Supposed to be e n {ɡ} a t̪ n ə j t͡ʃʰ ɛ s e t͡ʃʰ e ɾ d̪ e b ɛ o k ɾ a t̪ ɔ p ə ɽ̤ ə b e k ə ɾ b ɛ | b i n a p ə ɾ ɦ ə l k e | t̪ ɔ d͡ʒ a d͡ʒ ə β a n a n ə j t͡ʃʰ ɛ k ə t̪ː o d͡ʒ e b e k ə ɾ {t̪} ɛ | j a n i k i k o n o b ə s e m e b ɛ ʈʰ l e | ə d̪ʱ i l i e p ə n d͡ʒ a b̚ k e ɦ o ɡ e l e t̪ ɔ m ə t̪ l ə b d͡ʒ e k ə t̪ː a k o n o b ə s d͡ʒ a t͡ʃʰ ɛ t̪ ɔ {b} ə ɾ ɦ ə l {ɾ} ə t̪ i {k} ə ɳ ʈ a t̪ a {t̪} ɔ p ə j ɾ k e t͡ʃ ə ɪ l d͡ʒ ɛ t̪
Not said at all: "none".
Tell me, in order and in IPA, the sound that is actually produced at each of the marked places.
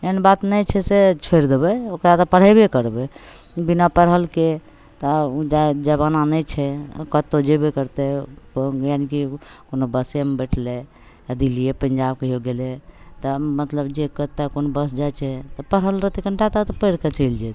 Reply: b, t̪, p, ɾ, k, t̪

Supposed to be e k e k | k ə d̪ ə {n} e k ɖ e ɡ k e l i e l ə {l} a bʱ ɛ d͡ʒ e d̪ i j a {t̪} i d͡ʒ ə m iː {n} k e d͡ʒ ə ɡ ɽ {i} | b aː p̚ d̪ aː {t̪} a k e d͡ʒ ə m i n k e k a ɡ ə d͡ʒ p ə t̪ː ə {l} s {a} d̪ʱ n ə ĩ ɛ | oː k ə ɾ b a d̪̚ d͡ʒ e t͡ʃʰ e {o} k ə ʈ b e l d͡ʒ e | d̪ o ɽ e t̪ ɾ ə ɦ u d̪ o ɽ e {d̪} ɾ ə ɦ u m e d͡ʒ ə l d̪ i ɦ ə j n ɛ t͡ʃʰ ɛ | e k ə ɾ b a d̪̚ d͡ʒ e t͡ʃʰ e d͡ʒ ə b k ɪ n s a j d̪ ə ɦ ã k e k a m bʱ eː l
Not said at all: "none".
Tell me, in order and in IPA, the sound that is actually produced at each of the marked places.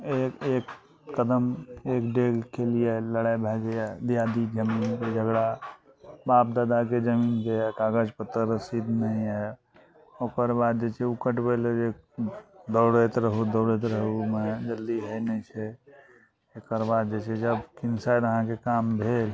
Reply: m, ɽ, d̪, n, a, d̪, ɾ, i, u, t̪

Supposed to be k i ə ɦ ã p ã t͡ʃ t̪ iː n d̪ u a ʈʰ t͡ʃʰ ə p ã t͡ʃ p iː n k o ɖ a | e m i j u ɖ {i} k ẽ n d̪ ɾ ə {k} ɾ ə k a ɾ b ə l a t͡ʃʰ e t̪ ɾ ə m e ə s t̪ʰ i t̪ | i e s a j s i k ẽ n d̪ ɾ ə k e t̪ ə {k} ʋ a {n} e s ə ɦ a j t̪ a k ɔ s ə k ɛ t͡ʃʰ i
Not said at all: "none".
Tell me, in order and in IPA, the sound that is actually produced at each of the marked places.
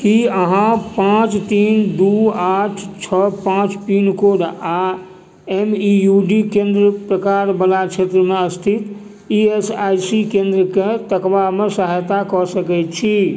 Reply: i, p, k, m

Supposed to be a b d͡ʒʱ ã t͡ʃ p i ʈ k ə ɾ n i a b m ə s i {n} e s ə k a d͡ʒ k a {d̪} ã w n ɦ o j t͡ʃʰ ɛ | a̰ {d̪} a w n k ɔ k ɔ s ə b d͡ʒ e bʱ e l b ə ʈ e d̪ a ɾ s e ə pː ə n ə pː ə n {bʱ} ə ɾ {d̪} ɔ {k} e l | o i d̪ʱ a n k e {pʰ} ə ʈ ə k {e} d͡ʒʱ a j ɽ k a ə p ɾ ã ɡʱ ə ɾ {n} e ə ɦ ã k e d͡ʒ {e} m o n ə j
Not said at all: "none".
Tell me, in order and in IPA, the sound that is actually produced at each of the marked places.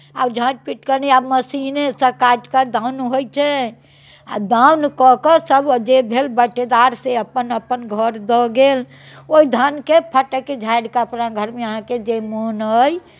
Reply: n, d̪, d̪, ɡʱ, d̪, ɡ, pʰ, e, m, e

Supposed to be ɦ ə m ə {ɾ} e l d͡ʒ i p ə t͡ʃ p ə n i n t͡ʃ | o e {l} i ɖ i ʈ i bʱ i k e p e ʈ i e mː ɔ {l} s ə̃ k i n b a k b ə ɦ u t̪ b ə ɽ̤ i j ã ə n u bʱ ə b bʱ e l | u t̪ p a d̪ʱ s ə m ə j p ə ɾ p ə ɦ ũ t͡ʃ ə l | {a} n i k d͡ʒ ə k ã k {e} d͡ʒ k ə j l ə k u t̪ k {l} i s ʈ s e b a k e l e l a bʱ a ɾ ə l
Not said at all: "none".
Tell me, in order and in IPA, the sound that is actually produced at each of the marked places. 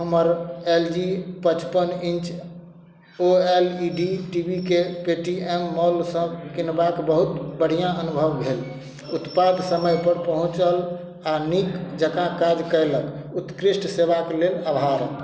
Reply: ɾ, l, l, a, a, ɾ

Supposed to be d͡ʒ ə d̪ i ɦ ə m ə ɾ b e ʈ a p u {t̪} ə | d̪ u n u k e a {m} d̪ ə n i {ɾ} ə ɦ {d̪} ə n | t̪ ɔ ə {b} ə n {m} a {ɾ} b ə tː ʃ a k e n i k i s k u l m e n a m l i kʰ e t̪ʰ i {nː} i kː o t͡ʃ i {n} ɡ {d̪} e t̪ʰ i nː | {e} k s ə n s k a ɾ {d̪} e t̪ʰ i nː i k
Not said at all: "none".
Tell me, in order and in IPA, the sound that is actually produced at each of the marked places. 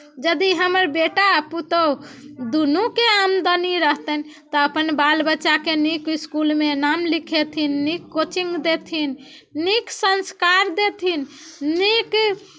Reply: t̪, m, ɾ, t̪, p, b, l, nː, ŋ, d̪, i, d̪

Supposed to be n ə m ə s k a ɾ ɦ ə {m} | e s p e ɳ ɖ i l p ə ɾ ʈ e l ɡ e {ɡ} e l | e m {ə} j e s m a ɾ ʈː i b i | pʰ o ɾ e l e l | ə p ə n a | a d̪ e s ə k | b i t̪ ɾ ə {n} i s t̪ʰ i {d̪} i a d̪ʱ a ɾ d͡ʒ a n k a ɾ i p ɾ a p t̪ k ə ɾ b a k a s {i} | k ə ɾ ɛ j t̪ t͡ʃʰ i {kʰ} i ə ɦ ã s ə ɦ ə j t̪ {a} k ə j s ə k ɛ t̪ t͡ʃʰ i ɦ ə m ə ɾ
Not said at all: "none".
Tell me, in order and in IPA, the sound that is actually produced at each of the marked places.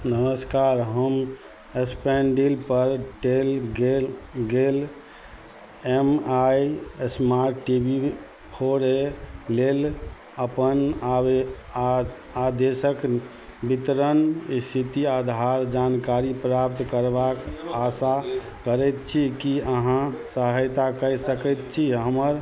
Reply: m, ɡ, a, n, t̪, a, k, a

